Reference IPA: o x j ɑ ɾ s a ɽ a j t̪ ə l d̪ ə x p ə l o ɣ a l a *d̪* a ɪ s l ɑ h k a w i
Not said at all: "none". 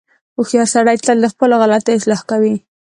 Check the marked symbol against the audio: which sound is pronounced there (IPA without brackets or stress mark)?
t̪